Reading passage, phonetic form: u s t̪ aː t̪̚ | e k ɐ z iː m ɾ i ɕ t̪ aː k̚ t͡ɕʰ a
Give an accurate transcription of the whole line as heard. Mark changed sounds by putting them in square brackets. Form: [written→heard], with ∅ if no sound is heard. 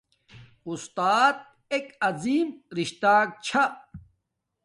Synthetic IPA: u s t̪ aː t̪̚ | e k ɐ z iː m ɾ i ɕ t̪ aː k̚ t͡ɕʰ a